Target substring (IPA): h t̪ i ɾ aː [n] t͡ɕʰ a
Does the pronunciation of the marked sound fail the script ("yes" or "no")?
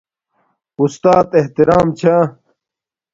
yes